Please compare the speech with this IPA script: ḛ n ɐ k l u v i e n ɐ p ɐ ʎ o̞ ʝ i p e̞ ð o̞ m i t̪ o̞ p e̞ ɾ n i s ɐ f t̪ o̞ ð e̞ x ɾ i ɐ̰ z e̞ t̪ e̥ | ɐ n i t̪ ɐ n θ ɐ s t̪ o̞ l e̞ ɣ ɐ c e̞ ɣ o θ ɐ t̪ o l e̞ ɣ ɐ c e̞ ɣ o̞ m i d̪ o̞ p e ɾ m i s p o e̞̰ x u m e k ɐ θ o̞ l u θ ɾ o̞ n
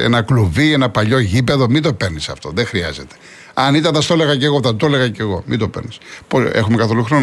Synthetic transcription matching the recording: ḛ n ɐ k l u v i e n ɐ p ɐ ʎ o̞ ʝ i p e̞ ð o̞ m i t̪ o̞ p e̞ ɾ n i s ɐ f t̪ o̞ ð e̞ x ɾ i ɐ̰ z e̞ t̪ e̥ | ɐ n i t̪ ɐ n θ ɐ s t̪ o̞ l e̞ ɣ ɐ c e̞ ɣ o θ ɐ t̪ o l e̞ ɣ ɐ c e̞ ɣ o̞ m i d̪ o̞ p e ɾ n i s p o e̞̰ x u m e k ɐ θ o̞ l u x ɾ o̞ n